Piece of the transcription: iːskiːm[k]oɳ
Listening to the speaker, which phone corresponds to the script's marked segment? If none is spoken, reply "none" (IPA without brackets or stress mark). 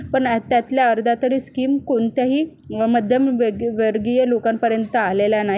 k